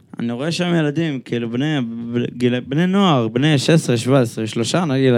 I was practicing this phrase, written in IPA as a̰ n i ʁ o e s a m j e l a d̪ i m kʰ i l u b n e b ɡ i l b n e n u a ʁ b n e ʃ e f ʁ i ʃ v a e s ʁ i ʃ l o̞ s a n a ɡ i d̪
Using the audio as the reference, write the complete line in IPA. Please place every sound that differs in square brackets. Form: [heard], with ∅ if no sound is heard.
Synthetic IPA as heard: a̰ n i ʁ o e [ʃ] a m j e l a d̪ i m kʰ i l u b n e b ɡ i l b n e n [o] a ʁ b n e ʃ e [s] ʁ [e] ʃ v a e s ʁ [e] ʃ l o̞ [ʃ] a n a ɡ i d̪